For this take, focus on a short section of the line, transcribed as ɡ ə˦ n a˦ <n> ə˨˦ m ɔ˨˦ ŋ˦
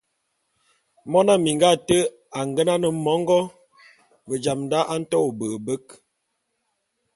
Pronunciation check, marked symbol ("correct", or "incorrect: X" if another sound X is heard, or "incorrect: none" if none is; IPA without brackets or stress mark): correct